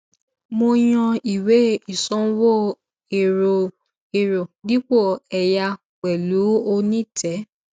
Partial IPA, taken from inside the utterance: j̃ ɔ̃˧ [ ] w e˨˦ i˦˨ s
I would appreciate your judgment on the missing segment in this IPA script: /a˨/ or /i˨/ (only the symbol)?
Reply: i˨